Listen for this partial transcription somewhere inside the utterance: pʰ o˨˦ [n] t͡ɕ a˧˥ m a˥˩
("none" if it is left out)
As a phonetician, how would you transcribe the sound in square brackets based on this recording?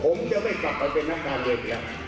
m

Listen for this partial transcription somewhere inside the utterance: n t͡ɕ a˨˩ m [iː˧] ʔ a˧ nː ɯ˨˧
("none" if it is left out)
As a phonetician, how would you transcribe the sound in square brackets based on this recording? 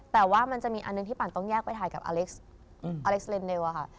iː˧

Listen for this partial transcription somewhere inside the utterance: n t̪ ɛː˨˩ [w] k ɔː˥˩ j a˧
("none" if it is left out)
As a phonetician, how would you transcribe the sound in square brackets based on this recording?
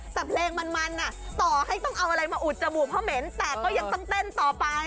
none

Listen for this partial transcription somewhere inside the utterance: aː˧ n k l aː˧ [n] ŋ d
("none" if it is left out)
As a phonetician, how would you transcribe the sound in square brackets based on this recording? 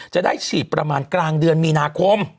none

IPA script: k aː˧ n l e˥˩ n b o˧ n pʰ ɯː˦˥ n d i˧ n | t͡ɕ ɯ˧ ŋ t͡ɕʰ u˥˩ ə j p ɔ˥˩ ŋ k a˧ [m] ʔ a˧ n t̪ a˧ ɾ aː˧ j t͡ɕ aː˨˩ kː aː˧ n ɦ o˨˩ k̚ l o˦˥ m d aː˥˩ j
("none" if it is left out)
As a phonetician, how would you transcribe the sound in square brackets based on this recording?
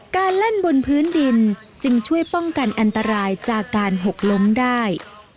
n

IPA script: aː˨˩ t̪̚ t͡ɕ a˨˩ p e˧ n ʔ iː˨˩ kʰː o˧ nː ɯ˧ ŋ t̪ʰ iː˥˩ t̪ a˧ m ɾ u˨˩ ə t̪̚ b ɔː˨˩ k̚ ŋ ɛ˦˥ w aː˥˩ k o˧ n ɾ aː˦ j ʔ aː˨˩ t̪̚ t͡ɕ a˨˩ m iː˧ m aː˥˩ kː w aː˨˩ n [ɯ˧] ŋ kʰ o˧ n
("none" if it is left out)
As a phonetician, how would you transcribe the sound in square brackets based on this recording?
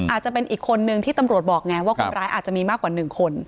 ɯ˨˩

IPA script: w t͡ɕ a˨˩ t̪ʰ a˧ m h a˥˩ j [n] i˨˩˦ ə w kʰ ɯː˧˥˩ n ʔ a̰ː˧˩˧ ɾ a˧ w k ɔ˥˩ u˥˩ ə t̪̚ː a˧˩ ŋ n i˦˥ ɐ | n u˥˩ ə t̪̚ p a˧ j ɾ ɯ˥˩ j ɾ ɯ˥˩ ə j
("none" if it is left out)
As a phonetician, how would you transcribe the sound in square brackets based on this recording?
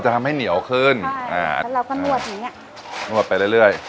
n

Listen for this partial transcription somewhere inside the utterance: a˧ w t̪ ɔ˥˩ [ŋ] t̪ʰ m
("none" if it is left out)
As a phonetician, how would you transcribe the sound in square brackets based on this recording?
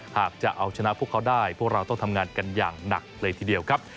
ŋ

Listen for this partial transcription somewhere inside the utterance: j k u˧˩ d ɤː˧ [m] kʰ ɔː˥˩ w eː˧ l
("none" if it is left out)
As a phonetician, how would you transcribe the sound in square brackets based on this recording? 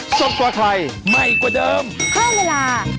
m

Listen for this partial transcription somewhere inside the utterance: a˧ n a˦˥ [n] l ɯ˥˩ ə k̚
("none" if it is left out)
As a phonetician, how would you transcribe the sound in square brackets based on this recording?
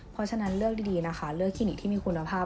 n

